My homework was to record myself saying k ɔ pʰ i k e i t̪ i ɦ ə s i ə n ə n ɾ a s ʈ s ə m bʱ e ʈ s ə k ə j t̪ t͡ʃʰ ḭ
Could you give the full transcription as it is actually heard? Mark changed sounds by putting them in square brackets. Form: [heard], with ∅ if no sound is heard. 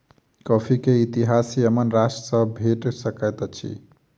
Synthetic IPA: k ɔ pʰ i k e i t̪ i ɦ [a] s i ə [m] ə n ɾ a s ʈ s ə [∅] bʱ e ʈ s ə k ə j t̪ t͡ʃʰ ḭ